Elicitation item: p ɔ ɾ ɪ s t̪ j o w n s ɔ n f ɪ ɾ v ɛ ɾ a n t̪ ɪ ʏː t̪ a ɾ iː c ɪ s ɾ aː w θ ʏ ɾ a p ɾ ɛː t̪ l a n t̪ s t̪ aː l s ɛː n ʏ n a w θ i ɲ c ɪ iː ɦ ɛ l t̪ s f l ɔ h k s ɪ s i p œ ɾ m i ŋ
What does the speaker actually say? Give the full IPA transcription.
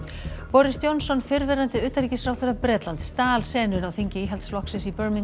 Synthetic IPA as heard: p ɔ ɾ ɪ s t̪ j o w n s ɔ n f ɪ ɾ v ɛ ɾ a n t̪ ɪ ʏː t̪ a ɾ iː c ɪ s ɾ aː w θ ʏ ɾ a p ɾ ɛː t̪ l a n t̪ s t̪ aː l s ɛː n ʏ n a w θ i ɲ c ɪ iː ɦ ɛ l t̪ s f l ɔ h k s ɪ s i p œ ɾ m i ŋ

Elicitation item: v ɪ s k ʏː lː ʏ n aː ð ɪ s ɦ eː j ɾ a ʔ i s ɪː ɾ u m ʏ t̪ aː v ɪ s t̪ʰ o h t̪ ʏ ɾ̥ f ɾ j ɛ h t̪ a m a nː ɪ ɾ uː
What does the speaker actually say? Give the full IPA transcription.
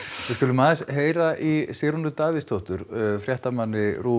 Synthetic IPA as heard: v ɪ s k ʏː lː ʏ m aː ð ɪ s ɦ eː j ɾ a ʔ i s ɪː ɾ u n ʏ t̪ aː v ɪ s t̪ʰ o h t̪ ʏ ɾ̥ f ɾ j ɛ h t̪ a m a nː ɪ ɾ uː

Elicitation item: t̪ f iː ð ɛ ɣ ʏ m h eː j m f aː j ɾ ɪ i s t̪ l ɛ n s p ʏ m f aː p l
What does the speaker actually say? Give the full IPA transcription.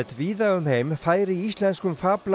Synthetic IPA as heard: t̪ v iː ð a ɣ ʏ m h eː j m f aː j ɾ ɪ i s t̪ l ɛ n s k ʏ m f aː p l

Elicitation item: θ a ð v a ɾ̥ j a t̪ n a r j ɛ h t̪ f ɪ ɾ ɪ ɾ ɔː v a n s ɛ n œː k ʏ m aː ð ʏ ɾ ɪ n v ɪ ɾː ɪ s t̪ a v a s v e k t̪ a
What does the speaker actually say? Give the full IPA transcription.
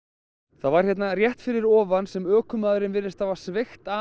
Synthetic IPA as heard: θ a ð v a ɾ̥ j ɛ t̪ n a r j ɛ h t̪ f ɪ ɾ ɪ ɾ ɔː v a n s ɛ m œː k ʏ m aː ð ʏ ɾ ɪ n v ɪ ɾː ɪ s t̪ a v a s v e x t̪ a

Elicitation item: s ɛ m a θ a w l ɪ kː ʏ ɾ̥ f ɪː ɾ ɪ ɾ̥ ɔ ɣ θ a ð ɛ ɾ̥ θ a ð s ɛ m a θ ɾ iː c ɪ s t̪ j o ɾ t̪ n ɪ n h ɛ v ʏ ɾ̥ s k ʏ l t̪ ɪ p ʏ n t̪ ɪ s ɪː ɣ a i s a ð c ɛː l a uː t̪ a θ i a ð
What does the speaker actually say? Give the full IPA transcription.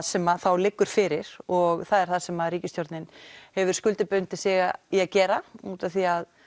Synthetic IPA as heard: s ɛ m a θ a w l ɪ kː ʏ ɾ̥ f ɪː ɾ ɪ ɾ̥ ɔ ɣ θ a ð ɛ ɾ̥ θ a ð s ɛ m a ð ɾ iː c ɪ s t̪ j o ɾ t̪ n ɪ n h ɛ v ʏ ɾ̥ s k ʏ l t̪ ɪ p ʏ n t̪ ɪ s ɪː ɣ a i a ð c ɛː ɾ a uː t̪ a θ i a ð

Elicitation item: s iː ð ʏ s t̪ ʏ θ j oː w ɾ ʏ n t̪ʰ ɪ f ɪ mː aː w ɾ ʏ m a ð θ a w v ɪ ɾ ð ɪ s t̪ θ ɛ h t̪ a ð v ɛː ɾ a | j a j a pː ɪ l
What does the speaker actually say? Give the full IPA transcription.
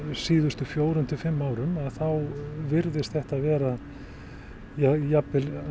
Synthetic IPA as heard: s iː ð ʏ s t̪ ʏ f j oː w ɾ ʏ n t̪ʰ ɪ f ɪ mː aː w ɾ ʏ m a ð θ a w v ɪ ɾ ð ɪ s t̪ θ ɛ h t̪ a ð v ɛː ɾ a | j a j a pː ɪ l

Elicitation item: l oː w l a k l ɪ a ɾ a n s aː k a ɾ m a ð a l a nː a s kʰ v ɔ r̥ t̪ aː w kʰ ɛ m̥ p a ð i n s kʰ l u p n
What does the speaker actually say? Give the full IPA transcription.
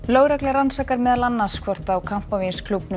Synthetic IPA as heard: l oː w ɾ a k l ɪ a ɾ a n s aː k a ɾ m ɛ ð a l a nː a s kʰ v ɔ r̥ t̪ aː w kʰ a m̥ p a v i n s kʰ l u p n

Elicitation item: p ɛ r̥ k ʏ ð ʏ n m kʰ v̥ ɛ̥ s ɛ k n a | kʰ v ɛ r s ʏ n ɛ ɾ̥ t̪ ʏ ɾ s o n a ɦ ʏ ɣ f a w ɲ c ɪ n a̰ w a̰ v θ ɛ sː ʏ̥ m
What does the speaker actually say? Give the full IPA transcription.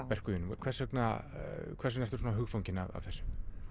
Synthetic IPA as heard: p ɛ r̥ k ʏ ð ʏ n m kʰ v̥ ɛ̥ s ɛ k n a | kʰ v ɛ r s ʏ n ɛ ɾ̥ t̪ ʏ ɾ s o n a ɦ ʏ ɣ f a w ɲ c ɪ n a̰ v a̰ v θ ɛ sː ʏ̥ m

